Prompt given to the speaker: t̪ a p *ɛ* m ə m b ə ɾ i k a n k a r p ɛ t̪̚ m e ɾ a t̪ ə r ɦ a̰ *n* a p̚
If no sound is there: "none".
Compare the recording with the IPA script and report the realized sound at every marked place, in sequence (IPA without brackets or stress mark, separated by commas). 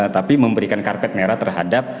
i, d